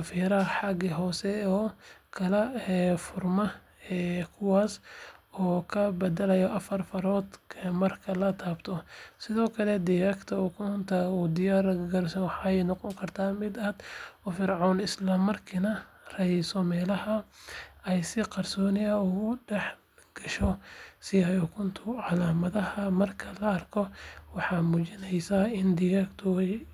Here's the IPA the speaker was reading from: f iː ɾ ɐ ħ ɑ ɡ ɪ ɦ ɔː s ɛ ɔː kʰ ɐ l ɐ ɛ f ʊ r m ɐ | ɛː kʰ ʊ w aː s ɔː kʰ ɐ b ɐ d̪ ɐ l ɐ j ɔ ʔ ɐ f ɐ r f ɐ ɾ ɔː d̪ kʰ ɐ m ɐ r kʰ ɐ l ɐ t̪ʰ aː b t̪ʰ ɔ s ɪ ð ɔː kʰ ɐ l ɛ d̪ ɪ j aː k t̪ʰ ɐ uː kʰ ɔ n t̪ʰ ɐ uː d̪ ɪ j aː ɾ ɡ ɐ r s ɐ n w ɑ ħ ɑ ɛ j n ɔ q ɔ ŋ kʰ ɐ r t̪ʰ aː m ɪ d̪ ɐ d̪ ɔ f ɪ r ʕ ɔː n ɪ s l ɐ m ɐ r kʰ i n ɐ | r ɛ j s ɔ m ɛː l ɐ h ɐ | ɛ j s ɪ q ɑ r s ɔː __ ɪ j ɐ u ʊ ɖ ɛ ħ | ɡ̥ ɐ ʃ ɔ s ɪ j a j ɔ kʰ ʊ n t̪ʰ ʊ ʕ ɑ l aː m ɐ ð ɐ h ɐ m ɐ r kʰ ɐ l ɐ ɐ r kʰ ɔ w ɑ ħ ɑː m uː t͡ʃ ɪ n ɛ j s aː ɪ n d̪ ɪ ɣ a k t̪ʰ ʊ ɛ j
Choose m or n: n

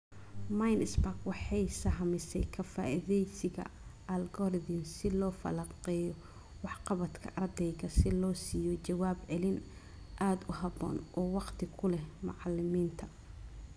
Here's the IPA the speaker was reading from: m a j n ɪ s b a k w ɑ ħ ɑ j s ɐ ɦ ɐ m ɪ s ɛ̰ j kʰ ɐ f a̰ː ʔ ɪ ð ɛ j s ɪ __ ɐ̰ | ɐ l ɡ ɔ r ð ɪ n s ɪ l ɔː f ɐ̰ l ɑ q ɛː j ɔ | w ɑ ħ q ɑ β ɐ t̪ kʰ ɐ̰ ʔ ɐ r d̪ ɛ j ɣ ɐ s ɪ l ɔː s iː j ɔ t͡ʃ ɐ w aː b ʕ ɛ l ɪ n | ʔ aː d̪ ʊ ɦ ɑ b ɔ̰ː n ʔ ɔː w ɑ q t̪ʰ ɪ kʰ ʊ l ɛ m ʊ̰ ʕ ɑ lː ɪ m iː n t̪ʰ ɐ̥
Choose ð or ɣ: ɣ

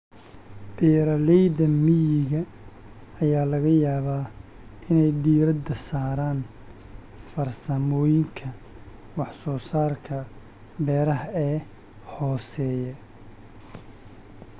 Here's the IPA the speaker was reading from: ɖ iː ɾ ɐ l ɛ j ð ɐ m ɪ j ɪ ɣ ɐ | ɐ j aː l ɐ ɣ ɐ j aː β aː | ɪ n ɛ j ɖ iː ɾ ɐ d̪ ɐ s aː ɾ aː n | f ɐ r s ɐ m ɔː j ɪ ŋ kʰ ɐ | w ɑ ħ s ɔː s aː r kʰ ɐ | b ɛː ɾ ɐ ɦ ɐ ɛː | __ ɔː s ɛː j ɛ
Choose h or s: h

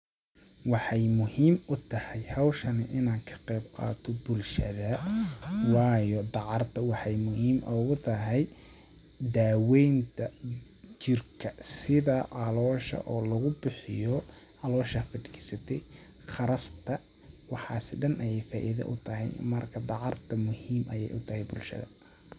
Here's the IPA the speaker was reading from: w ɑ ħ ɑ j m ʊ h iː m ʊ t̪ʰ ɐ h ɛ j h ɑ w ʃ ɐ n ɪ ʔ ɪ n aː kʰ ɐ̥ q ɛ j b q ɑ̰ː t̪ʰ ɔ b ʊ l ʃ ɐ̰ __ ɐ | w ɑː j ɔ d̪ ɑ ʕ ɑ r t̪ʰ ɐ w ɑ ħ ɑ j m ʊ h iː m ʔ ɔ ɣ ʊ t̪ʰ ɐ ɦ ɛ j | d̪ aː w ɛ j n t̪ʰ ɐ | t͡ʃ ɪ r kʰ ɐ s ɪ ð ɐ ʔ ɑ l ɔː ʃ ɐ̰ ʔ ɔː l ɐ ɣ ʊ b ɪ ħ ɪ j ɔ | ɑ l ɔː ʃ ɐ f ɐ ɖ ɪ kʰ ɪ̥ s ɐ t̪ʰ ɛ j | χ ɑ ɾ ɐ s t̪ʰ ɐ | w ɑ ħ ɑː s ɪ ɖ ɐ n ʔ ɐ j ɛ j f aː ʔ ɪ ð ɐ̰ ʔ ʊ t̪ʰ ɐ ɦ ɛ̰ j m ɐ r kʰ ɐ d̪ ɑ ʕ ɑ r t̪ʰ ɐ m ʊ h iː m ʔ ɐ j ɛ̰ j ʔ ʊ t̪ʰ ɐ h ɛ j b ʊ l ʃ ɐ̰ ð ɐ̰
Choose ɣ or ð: ð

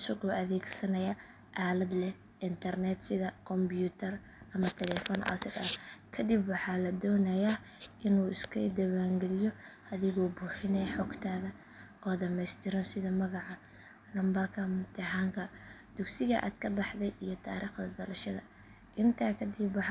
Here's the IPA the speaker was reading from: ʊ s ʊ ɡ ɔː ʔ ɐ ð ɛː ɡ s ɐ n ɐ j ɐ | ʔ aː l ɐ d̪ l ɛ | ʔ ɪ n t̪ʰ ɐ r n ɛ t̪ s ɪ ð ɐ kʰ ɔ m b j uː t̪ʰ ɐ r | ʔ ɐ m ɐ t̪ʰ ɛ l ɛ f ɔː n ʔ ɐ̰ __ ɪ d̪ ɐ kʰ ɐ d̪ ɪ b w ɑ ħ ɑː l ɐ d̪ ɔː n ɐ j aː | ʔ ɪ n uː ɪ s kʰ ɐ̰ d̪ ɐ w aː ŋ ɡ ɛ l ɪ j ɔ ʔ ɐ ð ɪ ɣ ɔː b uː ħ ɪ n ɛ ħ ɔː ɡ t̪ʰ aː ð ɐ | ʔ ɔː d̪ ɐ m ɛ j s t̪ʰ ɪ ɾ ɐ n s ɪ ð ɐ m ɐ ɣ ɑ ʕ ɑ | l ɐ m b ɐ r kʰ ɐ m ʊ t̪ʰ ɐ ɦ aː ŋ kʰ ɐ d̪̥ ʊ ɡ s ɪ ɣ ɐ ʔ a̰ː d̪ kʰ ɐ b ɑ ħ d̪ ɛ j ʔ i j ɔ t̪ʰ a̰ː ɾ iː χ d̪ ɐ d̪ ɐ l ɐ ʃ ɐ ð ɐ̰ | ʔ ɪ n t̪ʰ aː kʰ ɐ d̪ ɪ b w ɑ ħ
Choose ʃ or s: s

